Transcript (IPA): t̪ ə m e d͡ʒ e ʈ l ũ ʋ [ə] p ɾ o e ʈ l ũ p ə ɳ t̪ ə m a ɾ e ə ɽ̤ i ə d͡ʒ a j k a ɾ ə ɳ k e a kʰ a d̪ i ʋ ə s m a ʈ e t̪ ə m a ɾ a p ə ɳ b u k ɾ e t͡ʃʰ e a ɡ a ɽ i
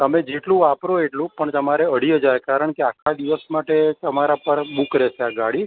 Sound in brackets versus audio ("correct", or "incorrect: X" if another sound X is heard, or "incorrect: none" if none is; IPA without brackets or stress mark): incorrect: a